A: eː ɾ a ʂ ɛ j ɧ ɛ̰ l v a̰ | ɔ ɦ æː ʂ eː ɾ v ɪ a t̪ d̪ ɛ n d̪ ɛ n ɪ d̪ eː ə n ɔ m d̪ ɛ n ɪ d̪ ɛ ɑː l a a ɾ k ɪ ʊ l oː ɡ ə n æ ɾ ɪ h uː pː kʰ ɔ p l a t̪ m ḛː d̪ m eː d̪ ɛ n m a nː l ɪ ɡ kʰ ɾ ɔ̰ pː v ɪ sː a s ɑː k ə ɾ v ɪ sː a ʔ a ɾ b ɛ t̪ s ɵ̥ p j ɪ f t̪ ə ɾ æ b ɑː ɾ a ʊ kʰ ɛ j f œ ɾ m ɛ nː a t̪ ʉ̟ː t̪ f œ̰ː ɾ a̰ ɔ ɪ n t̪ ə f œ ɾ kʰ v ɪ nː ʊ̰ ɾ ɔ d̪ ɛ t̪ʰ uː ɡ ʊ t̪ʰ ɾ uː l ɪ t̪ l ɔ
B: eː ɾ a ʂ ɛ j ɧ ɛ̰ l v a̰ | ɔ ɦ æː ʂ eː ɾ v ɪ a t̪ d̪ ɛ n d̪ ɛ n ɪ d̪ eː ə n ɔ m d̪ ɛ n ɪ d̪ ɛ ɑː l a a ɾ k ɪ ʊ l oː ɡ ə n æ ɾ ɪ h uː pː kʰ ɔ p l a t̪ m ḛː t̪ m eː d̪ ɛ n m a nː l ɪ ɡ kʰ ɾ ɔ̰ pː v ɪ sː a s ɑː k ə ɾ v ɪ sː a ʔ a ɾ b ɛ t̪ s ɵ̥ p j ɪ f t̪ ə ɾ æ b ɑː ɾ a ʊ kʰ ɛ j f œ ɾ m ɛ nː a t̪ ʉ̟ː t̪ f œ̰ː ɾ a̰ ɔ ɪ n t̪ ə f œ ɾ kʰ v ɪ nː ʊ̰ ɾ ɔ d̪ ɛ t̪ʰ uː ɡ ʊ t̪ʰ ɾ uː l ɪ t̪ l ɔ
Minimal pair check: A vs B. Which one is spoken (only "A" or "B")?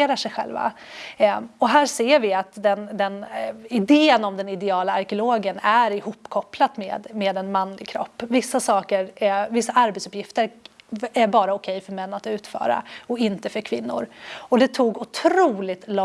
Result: A